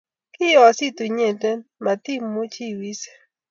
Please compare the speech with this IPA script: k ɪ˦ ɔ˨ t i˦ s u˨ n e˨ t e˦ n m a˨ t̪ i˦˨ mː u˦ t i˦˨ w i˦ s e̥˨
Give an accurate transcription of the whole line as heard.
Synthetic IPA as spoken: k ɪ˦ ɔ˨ s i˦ t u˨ ɲ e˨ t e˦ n m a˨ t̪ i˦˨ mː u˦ t͡ʃ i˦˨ w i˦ s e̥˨